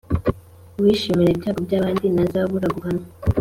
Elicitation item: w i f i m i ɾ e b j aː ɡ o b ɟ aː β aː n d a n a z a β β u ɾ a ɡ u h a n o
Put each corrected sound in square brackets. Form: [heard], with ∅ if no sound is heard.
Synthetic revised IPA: w i [ʃ] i m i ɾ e b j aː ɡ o b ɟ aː β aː n d [i] n a z a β β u ɾ a ɡ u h a n o